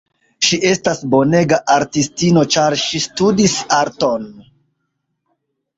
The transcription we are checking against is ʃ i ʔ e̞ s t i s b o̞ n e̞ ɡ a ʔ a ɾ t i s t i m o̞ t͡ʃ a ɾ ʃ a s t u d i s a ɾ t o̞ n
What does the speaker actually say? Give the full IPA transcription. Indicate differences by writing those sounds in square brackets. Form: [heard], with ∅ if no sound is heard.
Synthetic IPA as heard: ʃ i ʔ e̞ s t [a] s b o̞ n e̞ ɡ a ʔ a ɾ t i s t i [n] o̞ t͡ʃ a ɾ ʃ [i] s t u d i s a ɾ t o̞ n